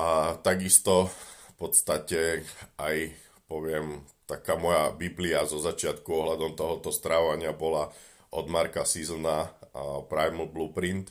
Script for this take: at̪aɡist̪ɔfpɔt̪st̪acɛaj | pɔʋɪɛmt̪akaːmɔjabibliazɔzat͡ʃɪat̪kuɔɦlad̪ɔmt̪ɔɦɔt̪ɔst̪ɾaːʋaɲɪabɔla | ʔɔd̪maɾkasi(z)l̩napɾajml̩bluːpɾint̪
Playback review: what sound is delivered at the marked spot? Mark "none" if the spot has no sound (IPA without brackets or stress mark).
z